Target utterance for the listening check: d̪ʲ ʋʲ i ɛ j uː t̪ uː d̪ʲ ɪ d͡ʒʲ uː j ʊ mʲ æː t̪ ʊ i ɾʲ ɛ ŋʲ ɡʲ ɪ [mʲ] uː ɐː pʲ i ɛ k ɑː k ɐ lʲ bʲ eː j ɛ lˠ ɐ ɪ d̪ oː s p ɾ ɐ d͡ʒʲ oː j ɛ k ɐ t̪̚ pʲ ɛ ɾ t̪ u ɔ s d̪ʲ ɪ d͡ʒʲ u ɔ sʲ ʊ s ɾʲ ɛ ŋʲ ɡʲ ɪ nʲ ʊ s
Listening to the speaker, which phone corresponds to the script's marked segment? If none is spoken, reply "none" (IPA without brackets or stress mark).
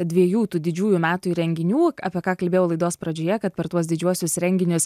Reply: nʲ